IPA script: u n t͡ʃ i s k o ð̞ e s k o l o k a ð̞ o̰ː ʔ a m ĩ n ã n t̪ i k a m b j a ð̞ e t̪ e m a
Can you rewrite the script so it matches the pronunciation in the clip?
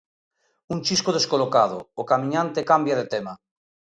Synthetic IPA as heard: u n t͡ʃ i s k o ð̞ e s k o l o k a ð̞ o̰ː k a m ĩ ɲ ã n t̪ e k a m b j a ð̞ e t̪ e m a